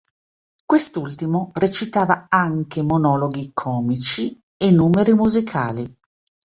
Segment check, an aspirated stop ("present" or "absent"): present